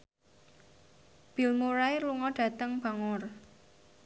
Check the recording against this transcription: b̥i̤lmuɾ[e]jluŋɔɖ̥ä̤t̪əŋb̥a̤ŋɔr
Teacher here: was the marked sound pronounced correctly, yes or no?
no